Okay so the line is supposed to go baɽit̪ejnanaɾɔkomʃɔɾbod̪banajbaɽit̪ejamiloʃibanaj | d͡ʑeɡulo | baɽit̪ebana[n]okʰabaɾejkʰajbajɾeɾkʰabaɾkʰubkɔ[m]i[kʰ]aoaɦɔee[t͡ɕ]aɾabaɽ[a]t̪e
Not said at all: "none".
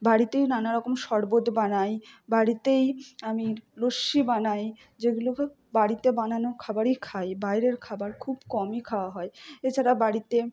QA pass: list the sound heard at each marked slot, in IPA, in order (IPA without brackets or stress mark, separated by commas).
n, m, kʰ, t͡ɕʰ, i